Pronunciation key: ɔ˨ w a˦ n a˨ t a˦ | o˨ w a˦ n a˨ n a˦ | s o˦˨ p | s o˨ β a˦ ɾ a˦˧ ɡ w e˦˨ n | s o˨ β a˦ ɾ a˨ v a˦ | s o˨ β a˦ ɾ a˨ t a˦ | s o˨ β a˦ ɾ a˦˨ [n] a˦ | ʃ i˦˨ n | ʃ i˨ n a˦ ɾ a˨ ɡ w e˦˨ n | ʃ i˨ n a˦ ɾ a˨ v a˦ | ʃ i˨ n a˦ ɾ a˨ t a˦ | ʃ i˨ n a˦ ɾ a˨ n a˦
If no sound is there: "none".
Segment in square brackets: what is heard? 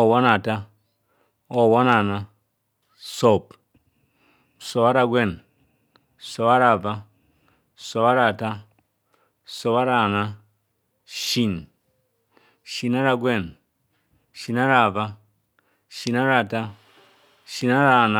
n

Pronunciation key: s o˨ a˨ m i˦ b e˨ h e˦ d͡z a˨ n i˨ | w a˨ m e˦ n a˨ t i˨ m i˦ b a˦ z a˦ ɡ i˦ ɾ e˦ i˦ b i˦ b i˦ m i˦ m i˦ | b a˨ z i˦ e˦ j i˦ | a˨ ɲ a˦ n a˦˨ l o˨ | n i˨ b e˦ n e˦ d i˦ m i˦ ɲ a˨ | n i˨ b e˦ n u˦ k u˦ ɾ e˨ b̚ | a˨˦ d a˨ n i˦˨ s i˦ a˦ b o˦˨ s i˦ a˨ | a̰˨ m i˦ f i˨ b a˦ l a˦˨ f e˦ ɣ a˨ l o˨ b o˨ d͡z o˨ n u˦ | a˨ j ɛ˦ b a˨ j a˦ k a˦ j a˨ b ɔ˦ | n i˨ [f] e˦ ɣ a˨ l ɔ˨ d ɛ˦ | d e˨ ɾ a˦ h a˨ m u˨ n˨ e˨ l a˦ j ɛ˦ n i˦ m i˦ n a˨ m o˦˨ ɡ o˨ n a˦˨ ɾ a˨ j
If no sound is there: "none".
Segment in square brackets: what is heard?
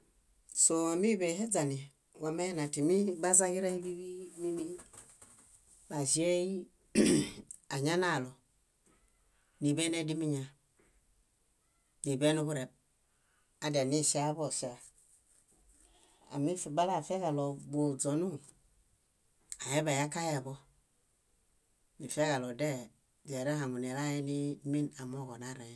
f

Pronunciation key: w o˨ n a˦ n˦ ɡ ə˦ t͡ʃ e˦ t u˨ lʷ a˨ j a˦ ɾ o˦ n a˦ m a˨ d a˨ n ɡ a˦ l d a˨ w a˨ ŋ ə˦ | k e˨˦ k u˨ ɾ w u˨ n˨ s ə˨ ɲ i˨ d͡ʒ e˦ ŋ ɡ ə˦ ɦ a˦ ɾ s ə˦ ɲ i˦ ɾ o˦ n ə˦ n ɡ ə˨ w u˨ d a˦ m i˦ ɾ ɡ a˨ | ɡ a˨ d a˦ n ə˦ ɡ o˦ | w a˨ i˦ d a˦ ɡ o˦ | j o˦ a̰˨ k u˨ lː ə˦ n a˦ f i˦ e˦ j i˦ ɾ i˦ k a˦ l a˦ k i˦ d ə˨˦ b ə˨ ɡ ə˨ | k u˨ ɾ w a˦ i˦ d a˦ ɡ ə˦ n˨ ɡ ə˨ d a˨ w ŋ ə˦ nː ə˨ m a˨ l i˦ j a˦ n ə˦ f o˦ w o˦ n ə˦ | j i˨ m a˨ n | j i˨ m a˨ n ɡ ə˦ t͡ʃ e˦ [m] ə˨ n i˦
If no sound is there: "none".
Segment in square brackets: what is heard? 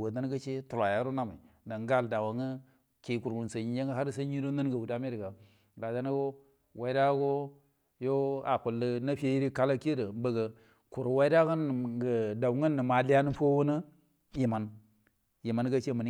m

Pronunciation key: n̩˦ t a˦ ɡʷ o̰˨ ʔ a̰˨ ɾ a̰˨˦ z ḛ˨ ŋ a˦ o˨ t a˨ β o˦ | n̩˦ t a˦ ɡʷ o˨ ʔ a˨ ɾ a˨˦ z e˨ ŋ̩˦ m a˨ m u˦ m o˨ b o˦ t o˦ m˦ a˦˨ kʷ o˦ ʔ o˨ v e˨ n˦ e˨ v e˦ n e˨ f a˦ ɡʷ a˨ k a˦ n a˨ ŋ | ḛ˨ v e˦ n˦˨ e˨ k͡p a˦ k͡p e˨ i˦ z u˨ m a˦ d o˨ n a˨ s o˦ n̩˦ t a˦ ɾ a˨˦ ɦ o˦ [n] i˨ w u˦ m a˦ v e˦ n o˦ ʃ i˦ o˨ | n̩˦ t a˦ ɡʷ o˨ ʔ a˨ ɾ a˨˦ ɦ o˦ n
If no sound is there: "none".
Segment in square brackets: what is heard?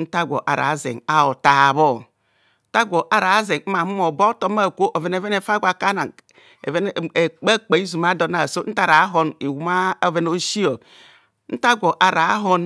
n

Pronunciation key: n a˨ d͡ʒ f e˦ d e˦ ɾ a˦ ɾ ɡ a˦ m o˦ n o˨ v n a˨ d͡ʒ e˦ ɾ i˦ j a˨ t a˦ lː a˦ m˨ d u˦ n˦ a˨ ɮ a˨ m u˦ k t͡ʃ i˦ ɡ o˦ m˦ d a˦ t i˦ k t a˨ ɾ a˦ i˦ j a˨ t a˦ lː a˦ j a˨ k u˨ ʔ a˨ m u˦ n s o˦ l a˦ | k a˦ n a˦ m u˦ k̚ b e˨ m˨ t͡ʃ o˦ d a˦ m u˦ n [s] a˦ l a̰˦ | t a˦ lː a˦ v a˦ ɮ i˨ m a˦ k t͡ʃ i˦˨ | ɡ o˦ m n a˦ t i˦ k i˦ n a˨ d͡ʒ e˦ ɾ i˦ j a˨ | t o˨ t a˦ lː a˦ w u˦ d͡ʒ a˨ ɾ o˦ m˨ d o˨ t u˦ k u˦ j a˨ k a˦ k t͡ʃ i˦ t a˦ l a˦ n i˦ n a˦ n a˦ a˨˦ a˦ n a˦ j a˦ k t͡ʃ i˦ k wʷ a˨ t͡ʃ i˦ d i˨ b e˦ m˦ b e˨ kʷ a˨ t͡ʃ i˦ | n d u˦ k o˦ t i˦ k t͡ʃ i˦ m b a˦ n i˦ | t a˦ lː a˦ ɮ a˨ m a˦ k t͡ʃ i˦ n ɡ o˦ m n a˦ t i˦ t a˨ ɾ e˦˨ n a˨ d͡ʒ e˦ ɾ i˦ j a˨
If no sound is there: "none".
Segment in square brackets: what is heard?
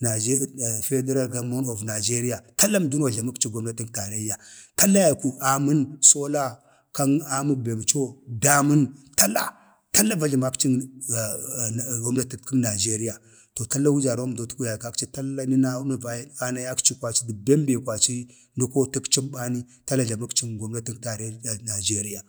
t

